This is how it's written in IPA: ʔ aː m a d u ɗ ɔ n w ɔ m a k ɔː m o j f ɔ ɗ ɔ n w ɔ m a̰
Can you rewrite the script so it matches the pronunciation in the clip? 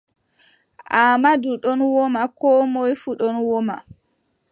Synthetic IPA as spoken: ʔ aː m a d u ɗ ɔ n w ɔ m a k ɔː m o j f u ɗ ɔ n w ɔ m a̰